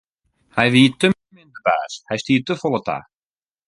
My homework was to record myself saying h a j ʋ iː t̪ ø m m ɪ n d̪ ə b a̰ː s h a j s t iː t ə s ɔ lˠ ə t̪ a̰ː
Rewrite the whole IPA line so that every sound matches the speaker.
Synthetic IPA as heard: h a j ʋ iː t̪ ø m m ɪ n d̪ ə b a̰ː s h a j s t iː t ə f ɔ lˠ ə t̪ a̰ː